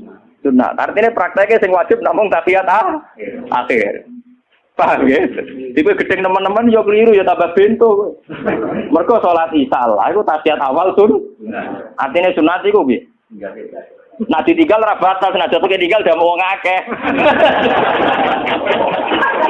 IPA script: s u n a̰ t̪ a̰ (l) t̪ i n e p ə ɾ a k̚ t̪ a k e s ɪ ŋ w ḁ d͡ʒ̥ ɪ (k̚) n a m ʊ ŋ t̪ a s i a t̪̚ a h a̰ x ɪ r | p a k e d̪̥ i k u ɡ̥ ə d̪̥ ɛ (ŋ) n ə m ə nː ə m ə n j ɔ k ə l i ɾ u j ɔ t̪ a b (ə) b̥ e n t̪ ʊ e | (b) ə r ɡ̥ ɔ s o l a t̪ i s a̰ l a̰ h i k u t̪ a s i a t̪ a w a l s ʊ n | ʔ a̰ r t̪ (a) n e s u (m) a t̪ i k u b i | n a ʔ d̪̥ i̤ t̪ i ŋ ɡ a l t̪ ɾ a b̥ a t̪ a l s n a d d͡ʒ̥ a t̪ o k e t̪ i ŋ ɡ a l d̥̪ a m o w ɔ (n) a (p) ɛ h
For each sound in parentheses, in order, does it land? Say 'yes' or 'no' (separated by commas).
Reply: no, no, yes, no, no, no, no, no, no